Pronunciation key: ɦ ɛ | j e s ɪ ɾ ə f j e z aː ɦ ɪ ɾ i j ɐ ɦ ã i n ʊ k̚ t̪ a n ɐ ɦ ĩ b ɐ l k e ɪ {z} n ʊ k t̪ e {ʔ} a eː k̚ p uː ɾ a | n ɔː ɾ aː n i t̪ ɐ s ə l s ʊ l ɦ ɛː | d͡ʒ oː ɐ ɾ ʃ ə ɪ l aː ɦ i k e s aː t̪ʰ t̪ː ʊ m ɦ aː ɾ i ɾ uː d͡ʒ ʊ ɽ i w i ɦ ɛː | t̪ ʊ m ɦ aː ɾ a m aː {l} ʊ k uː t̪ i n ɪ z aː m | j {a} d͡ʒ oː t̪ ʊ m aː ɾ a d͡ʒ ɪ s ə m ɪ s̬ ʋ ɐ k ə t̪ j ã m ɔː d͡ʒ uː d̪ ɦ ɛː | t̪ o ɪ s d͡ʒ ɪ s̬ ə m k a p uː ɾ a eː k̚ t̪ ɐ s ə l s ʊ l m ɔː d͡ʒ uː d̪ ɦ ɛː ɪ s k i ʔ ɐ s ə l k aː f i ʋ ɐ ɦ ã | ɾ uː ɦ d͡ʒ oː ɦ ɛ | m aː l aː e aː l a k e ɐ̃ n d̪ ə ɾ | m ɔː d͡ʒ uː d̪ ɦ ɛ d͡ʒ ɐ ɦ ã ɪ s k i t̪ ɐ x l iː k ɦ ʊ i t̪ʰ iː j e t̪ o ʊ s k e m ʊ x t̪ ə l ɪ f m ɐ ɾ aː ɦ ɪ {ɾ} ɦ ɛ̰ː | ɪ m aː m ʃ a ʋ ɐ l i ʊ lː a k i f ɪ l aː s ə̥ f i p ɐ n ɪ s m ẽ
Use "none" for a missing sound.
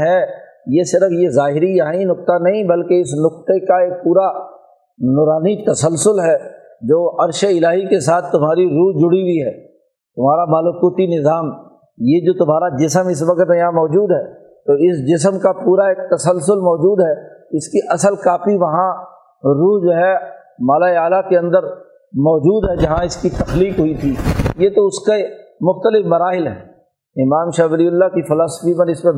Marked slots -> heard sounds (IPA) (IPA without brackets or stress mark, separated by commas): s, k, l, e, l